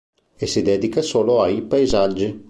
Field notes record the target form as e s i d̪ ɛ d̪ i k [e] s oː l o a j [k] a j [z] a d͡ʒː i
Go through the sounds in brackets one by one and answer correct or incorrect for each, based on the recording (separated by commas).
incorrect, incorrect, correct